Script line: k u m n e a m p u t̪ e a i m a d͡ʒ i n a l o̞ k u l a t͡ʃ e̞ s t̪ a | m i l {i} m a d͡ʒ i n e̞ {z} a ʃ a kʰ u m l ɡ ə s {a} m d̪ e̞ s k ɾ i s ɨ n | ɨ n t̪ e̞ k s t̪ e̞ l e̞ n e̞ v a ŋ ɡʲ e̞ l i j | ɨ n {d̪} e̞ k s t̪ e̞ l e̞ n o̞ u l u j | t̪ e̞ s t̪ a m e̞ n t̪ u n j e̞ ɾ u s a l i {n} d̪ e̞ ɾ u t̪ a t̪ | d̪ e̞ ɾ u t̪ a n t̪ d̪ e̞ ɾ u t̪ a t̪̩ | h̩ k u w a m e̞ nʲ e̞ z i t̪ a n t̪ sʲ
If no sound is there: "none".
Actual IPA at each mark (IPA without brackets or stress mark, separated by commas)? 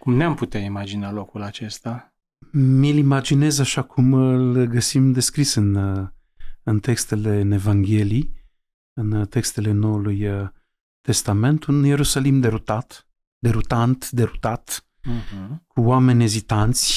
i, z, i, t̪, m